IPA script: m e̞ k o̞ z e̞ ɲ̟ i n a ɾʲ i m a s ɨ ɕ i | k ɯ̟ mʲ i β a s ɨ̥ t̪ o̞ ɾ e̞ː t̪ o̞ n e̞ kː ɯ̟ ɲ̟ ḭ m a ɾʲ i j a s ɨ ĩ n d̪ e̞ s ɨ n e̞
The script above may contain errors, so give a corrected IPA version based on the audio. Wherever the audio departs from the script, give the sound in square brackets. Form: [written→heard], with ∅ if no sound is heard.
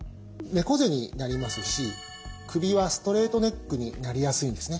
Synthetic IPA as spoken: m e̞ k o̞ z e̞ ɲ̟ i n a ɾʲ i m a s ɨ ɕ i | k ɯ̟ [mʲ→bʲ] i β a s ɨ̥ t̪ o̞ ɾ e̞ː t̪ o̞ n e̞ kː ɯ̟ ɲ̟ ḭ [m→n] a ɾʲ i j a s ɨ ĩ n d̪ e̞ s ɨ n e̞